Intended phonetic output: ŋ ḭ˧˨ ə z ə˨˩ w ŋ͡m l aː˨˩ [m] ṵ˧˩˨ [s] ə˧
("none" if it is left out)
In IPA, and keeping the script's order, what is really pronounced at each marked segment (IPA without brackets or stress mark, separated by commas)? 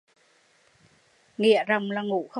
ŋ, x